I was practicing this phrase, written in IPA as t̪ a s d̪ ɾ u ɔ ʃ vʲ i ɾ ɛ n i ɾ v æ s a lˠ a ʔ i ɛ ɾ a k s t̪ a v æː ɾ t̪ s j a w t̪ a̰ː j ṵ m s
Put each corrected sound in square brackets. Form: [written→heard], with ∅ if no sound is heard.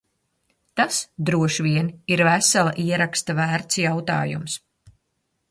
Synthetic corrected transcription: t̪ a s d̪ ɾ u ɔ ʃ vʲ i [ɾ→∅] ɛ n i ɾ v æ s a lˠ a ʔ i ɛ ɾ a k s t̪ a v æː ɾ t̪ s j a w t̪ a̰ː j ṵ m s